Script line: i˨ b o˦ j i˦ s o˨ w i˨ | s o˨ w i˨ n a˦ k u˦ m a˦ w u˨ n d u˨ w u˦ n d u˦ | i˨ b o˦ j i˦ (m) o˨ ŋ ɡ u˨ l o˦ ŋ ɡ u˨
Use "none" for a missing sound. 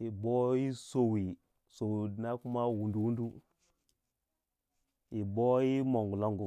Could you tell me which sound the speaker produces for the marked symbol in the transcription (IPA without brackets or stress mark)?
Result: m